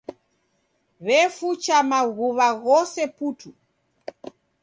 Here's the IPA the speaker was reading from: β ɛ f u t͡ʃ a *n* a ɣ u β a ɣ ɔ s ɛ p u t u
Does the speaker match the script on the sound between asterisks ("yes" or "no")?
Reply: no